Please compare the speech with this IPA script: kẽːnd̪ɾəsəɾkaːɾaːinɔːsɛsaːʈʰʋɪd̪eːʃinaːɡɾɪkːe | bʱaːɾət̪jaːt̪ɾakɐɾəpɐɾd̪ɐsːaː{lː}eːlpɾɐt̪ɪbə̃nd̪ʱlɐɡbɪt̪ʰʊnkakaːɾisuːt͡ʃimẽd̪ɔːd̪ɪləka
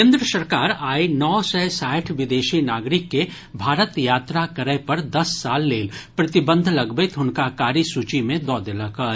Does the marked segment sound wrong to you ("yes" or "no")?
no